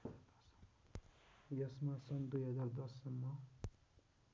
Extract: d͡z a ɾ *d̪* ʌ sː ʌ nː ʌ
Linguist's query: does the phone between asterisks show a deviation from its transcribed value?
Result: no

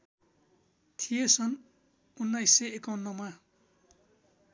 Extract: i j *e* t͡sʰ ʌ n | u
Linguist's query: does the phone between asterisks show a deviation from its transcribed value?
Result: no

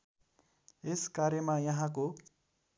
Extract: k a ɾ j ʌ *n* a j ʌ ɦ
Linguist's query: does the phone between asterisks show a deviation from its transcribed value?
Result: yes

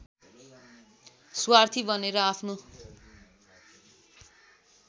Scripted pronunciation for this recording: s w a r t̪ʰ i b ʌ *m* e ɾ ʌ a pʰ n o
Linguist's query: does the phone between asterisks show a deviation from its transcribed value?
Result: yes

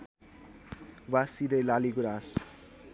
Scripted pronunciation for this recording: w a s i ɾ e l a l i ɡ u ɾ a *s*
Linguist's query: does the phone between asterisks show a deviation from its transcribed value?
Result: no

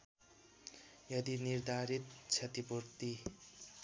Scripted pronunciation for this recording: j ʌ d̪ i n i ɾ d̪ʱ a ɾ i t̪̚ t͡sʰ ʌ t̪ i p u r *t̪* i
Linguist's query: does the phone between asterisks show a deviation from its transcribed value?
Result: no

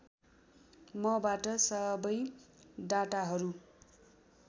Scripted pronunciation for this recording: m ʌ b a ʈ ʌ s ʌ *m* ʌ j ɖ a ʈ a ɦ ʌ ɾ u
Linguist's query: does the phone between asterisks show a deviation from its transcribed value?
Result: yes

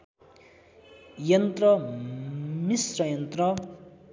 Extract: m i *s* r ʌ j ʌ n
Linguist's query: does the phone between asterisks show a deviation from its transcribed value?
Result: no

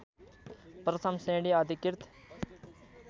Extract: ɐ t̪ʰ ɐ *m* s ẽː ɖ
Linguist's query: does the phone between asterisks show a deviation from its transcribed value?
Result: no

